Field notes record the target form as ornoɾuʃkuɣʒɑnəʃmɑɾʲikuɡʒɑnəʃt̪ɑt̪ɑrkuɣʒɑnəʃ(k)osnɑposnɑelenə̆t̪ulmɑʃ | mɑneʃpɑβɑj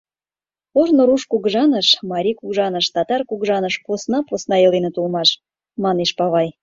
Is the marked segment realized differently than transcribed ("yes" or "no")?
yes